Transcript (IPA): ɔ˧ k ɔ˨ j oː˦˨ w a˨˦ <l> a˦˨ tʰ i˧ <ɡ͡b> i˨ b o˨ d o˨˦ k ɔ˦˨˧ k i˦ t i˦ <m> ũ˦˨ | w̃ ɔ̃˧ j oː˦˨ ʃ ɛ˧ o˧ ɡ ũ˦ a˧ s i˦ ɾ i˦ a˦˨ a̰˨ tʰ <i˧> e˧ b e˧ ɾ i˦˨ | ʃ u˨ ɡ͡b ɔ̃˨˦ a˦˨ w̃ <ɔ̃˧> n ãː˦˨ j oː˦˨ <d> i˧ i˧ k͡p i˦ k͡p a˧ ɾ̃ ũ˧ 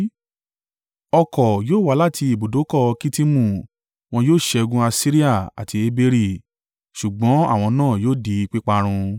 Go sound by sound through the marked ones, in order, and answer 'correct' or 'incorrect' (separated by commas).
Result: correct, incorrect, correct, correct, correct, correct